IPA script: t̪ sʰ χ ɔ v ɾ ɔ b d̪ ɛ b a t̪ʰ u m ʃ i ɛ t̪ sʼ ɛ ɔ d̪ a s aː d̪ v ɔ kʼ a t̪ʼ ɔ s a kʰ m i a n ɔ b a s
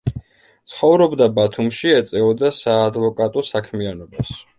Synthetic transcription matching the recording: t̪ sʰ χ ɔ v ɾ ɔ b d̪ a b a t̪ʰ u m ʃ i ɛ t̪ sʼ ɛ ɔ d̪ a s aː d̪ v ɔ kʼ a t̪ʼ ɔ s a kʰ m i a n ɔ b a s